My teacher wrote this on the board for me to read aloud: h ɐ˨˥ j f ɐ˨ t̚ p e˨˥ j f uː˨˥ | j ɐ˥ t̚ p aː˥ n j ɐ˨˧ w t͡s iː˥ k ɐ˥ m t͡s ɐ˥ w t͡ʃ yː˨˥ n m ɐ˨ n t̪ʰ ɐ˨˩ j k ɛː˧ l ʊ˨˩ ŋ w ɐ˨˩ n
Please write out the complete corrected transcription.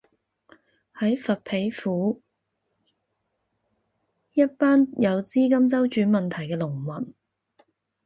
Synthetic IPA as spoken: h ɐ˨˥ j f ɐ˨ t̚ pʰ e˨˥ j f uː˨˥ | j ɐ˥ t̚ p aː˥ n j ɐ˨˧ w t͡s iː˥ k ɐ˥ m t͡s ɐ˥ w t͡ʃ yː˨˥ n m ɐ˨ n t̪ʰ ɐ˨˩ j k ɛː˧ l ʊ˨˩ ŋ w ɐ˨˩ n